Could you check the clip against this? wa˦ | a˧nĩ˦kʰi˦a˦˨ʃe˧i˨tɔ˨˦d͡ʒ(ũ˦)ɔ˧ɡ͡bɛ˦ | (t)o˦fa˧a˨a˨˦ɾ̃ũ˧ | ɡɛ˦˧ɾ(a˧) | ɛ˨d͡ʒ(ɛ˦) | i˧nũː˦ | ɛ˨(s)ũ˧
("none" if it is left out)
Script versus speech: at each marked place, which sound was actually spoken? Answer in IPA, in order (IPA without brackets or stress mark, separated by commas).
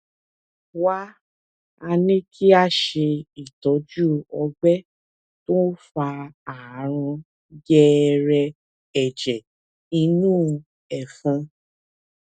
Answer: u˦, t, ɛ˧, ɛ˨, f